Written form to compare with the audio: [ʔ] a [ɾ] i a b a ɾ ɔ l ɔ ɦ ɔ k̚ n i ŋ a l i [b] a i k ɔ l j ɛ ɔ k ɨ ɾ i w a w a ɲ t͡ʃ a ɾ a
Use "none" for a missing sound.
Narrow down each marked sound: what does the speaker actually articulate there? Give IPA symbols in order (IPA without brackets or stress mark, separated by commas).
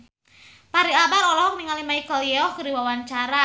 p, ɾ, m